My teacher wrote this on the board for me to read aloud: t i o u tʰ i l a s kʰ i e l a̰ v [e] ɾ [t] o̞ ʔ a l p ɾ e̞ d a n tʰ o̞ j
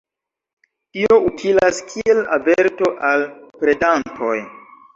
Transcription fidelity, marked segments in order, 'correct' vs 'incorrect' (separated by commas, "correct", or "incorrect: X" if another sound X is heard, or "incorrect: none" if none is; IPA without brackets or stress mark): correct, correct